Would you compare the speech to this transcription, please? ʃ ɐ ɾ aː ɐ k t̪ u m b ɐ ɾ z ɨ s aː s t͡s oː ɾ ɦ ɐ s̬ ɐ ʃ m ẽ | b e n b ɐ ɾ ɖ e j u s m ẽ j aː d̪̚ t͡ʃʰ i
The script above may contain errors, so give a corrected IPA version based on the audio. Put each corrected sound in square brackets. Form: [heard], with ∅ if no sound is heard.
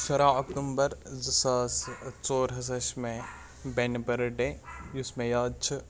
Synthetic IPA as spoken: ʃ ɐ ɾ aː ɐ k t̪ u m b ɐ ɾ z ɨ s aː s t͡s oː ɾ ɦ ɐ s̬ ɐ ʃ m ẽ | b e n b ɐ ɾ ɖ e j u s m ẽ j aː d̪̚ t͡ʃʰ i